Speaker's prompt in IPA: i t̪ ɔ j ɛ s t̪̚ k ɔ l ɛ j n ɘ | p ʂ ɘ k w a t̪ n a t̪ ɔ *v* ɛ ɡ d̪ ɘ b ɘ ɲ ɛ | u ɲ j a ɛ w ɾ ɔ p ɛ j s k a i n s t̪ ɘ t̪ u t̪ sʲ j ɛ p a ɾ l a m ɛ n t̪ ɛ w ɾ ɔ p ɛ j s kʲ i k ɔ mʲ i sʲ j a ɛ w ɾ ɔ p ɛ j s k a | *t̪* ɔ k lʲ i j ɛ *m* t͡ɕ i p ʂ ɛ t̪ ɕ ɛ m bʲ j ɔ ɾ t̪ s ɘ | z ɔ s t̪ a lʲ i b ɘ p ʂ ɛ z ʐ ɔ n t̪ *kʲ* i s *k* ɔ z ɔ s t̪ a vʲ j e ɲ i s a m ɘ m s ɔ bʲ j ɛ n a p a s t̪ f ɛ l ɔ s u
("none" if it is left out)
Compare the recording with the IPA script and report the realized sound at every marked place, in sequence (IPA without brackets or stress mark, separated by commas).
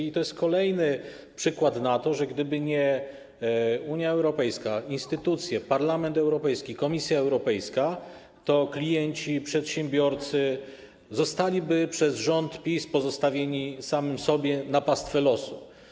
ʐ, t̪, ɲ, pʲ, p